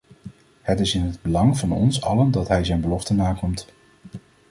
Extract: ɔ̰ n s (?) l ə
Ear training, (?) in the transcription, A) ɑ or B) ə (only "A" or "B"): A